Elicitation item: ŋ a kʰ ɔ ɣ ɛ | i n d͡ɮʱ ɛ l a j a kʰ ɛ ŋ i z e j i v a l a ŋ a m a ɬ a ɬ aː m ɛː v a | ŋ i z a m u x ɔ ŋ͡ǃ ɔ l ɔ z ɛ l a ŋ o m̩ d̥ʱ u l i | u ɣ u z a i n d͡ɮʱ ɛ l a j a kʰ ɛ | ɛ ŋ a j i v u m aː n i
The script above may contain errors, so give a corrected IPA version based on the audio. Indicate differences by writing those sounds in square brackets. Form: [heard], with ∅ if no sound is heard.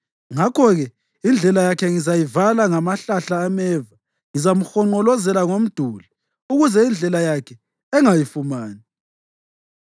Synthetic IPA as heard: ŋ a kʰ ɔ ɣ ɛ | i n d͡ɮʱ ɛ l a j a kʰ ɛ ŋ i z [a] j i v a l a ŋ a m a ɬ a ɬ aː m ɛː v a | ŋ i z a m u x ɔ ŋ͡ǃ ɔ l ɔ z ɛ l a ŋ o m̩ d̥ʱ u l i | u ɣ u z [ɛ] i n d͡ɮʱ ɛ l a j a kʰ ɛ | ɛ ŋ a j i [f] u m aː n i